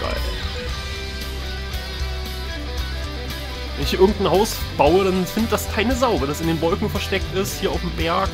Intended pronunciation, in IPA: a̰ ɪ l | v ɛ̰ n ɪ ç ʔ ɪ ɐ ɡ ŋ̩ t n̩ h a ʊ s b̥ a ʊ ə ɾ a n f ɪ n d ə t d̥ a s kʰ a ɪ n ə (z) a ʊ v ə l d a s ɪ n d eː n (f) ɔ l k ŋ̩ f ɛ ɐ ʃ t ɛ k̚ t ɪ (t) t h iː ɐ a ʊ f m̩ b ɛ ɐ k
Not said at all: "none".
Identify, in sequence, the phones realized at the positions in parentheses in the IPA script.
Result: z, v, s

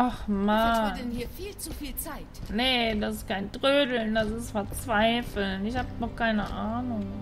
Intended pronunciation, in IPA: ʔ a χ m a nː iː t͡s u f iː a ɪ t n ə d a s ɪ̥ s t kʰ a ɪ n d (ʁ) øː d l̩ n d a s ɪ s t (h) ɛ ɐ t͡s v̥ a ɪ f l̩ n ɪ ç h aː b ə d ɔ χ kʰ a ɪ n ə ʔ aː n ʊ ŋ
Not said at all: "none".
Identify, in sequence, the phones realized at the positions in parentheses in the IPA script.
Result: ʁ, f

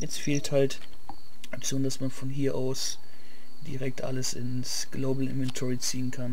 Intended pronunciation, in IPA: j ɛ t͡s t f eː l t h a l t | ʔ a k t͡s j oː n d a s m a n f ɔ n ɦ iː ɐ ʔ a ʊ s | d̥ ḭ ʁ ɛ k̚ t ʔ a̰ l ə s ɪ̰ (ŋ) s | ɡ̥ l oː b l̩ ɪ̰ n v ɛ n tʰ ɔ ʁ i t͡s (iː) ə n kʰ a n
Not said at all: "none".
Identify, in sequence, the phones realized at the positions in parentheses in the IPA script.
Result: n, iː

